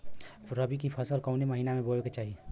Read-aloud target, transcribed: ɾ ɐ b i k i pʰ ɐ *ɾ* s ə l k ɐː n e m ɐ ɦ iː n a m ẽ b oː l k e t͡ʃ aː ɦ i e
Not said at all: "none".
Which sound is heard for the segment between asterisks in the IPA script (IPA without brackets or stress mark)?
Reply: none